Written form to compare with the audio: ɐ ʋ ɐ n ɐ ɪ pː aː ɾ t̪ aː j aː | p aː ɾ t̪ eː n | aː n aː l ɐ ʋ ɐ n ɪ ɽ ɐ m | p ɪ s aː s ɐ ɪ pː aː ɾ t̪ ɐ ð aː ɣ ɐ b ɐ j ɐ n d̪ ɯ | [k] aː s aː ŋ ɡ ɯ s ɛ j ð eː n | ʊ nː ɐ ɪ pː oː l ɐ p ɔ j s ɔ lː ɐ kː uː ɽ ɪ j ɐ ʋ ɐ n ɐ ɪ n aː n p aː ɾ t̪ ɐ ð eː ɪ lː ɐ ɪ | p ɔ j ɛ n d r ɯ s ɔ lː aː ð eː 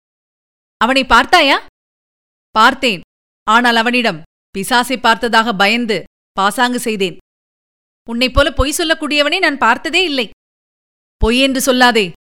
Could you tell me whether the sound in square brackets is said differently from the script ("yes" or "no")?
yes